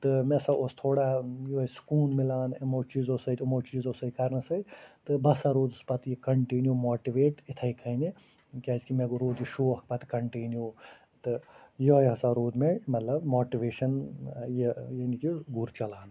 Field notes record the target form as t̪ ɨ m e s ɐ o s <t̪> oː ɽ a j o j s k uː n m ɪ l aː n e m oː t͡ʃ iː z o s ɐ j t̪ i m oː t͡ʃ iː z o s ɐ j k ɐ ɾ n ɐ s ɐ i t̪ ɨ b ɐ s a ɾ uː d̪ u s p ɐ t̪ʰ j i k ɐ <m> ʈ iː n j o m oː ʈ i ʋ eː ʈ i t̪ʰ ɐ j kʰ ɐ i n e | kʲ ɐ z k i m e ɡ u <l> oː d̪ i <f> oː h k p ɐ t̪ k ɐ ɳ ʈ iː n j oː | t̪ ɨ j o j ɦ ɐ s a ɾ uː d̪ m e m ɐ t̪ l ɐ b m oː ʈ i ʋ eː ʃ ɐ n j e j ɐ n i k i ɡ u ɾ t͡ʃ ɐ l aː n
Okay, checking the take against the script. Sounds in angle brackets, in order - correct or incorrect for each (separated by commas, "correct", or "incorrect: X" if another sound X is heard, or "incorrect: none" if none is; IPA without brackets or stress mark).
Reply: incorrect: t̪ʰ, incorrect: ɳ, incorrect: ɾ, incorrect: ʃ